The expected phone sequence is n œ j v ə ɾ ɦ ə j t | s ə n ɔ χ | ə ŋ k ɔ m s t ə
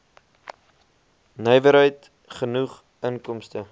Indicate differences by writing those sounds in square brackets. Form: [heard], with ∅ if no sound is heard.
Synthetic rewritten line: n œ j v ə ɾ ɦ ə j t | [χ] ə n [u] χ | ə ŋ k ɔ m s t ə